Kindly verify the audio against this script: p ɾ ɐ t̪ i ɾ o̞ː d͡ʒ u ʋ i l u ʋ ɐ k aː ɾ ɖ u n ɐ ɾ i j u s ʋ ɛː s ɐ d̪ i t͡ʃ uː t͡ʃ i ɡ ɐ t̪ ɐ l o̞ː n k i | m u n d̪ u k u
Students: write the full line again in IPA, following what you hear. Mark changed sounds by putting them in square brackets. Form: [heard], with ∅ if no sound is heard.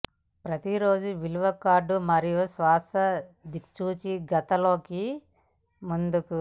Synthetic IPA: p ɾ ɐ t̪ i ɾ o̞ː d͡ʒ u ʋ i l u ʋ ɐ k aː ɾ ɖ u [m] ɐ ɾ i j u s ʋ [aː] s ɐ d̪ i t͡ʃ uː t͡ʃ i ɡ ɐ t̪ ɐ l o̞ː [∅] k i | m u n d̪ u k u